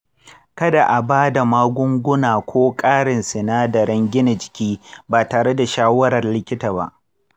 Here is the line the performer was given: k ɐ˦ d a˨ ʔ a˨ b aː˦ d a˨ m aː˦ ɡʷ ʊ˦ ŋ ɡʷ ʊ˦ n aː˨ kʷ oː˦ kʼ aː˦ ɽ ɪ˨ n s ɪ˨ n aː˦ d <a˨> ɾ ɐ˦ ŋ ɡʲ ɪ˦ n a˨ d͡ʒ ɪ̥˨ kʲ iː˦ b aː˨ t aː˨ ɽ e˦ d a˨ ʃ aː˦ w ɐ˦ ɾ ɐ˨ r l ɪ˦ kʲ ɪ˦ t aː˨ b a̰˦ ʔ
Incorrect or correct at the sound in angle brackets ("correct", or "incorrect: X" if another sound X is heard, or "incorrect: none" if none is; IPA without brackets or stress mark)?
incorrect: ɐ˨